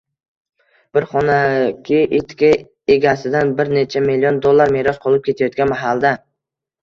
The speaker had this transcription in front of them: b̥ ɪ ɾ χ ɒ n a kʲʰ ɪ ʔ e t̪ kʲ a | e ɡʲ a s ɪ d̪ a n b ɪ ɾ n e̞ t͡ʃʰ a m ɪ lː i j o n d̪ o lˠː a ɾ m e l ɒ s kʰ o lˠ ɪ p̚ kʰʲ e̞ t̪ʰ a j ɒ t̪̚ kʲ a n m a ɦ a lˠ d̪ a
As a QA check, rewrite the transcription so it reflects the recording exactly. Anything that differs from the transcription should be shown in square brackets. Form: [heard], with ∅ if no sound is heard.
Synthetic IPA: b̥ ɪ ɾ χ ɒ n a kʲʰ ɪ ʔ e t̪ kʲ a | e ɡʲ a s ɪ d̪ a n b ɪ ɾ n e̞ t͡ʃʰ a m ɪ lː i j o n d̪ o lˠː a ɾ m e [ɾ] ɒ s [qʰ] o lˠ ɪ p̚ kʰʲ e̞ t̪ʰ a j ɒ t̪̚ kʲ a n m a ɦ a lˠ d̪ a